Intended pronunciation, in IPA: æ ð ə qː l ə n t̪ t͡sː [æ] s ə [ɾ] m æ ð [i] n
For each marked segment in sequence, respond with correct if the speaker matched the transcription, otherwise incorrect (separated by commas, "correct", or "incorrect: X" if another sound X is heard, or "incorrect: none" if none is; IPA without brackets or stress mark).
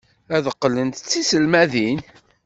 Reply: incorrect: i, incorrect: l, correct